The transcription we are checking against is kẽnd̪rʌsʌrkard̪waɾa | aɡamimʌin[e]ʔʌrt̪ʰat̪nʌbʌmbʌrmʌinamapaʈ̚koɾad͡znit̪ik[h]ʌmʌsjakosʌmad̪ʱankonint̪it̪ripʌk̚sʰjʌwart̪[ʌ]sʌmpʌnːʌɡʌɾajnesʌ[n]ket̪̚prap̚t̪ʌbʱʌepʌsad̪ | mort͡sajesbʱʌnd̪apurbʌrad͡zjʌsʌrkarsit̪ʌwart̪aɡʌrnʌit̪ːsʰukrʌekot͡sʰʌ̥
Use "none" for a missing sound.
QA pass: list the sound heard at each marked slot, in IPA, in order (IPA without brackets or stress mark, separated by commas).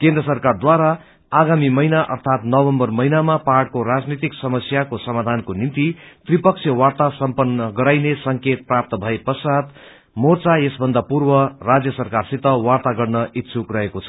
a, s, a, ŋ